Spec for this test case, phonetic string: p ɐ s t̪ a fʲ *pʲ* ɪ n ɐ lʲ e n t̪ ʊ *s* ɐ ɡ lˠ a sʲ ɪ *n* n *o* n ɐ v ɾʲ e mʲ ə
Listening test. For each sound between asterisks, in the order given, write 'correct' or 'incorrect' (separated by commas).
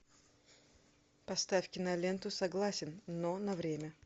incorrect, correct, correct, correct